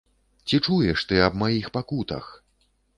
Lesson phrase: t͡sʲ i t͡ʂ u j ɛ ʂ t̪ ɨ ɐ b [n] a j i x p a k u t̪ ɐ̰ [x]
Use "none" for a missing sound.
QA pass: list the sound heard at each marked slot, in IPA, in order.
m, x

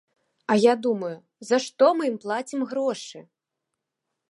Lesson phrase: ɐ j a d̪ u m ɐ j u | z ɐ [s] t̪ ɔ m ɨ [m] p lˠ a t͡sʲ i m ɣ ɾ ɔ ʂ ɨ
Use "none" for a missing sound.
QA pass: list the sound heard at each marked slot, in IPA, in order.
ʂ, m

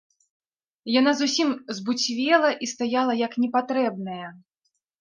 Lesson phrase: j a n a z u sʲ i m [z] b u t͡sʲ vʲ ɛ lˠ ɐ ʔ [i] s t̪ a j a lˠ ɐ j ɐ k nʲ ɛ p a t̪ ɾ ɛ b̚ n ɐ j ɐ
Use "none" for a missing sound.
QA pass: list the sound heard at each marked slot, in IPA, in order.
z, i

